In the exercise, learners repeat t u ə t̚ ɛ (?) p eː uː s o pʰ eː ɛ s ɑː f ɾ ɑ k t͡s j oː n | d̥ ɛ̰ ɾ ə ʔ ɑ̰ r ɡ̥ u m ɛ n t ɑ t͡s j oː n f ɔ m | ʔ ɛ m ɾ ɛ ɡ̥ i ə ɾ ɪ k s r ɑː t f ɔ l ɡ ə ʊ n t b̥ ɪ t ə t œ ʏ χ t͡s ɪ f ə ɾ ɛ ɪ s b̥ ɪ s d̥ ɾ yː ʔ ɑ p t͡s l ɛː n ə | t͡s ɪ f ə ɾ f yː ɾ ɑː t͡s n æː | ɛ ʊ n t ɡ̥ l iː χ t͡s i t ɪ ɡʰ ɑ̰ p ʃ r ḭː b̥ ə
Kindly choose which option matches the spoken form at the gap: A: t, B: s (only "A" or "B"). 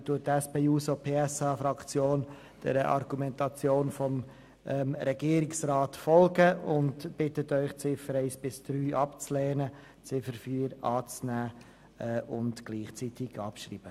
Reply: B